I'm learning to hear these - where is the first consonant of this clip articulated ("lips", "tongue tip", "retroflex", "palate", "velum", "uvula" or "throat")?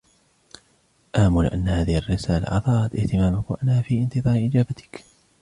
throat